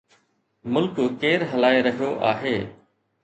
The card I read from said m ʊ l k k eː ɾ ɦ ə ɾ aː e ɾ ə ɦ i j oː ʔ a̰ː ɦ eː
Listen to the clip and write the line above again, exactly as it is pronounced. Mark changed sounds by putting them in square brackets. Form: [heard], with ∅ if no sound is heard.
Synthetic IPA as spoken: m ʊ l k k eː ɾ ɦ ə [l] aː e ɾ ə ɦ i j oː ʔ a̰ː ɦ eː